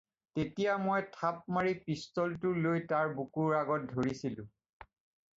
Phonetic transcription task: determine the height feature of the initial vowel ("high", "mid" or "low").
mid